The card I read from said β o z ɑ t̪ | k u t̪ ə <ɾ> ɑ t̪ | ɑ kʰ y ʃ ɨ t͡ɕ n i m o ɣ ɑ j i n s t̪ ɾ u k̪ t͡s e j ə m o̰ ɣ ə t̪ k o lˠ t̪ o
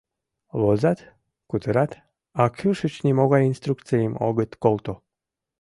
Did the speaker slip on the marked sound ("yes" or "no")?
no